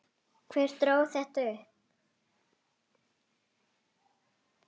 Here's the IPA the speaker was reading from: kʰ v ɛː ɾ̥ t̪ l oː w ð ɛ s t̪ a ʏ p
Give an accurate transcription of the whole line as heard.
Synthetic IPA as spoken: kʰ v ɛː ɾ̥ t̪ ɾ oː w θ ɛ h t̪ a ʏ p

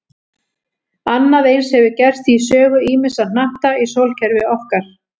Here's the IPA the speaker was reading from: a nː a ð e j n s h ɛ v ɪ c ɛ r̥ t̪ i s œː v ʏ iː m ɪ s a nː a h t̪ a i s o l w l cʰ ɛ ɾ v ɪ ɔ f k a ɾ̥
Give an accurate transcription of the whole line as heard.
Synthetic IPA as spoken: a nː a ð e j n s h ɛ v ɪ c ɛ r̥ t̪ i s œː ɣ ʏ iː m ɪ s a n a h t̪ a i s o w l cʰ ɛ ɾ v ɪ ɔ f k a ɾ̥

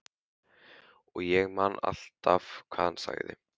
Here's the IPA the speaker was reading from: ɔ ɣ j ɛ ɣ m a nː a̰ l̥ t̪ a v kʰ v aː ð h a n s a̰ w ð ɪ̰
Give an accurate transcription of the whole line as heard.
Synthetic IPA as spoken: ɔ ɣ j ɛ ɣ m a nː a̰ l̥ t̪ a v kʰ v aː ð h a n s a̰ ɣ ð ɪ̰

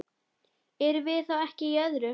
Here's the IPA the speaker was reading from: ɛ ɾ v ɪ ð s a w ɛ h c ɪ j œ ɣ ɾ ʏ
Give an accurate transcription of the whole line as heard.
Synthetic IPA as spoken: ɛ ɾ v ɪ ð θ a w ɛ h c ɪ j œ ð ɾ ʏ

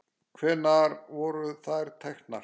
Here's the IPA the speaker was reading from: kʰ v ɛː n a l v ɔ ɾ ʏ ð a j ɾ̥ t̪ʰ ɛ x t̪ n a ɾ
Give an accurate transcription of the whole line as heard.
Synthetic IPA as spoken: kʰ v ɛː n a ɾ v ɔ ɾ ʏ θ a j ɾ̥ t̪ʰ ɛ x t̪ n a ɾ

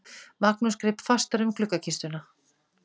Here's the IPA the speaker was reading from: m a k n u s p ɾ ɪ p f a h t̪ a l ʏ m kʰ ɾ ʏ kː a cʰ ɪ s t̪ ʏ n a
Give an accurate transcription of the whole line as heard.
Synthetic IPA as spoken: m a k n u s k ɾ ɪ p f a s t̪ a ɾ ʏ m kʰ l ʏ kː a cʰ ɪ s t̪ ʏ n a

